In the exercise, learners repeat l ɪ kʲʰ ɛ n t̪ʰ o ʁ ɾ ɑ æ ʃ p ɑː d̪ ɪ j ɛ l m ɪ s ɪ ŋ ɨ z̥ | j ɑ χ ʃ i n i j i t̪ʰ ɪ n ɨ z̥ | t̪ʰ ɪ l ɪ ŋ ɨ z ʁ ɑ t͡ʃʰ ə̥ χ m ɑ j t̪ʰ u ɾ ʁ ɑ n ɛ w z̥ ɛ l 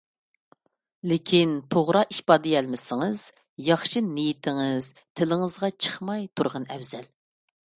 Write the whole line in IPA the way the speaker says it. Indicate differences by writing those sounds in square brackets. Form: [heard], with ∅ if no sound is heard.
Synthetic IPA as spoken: l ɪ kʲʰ [i] n t̪ʰ o ʁ ɾ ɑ [i] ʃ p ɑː d̪ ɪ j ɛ l m ɪ s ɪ ŋ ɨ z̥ | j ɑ χ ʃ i n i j i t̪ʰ ɪ [ŋ] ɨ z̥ | t̪ʰ ɪ l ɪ ŋ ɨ z ʁ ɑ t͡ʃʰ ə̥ χ m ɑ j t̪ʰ u ɾ ʁ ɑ n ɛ w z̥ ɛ l